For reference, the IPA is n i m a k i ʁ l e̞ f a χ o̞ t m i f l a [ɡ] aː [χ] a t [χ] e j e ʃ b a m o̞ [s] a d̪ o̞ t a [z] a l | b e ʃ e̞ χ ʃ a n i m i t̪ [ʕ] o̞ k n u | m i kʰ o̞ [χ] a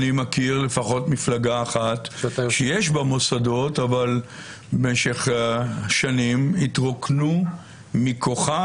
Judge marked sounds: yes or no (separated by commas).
yes, yes, no, yes, no, no, yes